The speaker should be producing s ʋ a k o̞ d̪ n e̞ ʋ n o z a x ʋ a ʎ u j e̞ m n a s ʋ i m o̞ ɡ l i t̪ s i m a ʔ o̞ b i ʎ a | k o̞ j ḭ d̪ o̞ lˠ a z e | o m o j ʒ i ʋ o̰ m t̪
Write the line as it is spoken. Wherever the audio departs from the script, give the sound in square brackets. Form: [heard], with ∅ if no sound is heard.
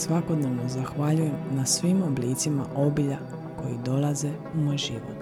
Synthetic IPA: s ʋ a k o̞ d̪ n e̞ ʋ n o z a x ʋ a ʎ u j e̞ m n a s ʋ i m o̞ [b] l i t̪ s i m a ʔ o̞ b i ʎ a | k o̞ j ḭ d̪ o̞ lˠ a z e | [u] m o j ʒ i ʋ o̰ [∅] t̪